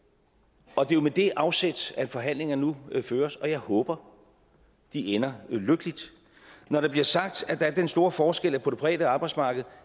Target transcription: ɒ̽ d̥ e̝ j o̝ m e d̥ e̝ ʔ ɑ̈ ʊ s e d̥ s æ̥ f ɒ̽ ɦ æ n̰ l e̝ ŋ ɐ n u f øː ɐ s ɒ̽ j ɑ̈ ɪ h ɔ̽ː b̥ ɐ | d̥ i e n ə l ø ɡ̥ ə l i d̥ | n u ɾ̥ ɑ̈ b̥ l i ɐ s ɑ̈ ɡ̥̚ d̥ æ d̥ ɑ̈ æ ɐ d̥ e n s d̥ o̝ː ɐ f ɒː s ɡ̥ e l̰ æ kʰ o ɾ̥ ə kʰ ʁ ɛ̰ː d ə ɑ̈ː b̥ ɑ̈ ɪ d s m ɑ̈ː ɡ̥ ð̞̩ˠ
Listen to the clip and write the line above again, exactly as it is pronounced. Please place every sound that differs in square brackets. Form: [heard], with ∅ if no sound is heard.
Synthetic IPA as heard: ɒ̽ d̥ e̝ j o̝ m e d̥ e̝ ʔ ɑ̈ ʊ s e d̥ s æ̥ f ɒ̽ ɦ æ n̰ l e̝ ŋ ɐ n u f øː ɐ s ɒ̽ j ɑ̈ ɪ h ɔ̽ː b̥ ɐ | d̥ i e n [ɐ] l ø ɡ̥ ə l i d̥ | n [ɒ] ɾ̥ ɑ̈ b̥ l i ɐ s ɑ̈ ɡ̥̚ d̥ æ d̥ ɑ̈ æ ɐ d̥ e n s d̥ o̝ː ɐ f ɒː s ɡ̥ e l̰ æ [pʰ] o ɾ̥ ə [pʰ] ʁ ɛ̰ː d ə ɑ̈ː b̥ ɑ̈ ɪ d s m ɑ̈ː ɡ̥ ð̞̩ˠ